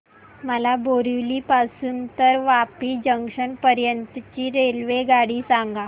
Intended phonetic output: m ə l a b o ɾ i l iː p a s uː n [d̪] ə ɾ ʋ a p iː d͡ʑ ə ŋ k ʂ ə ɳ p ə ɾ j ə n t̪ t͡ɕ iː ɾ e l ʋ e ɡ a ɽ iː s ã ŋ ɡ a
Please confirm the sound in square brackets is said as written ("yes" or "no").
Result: no